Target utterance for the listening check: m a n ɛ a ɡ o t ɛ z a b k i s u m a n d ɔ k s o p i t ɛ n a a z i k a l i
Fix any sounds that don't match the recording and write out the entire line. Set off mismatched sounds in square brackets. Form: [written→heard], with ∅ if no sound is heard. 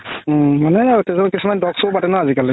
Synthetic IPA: m a n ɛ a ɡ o t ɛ z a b k i s u m a n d ɔ k s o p [i→a] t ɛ n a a z i k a l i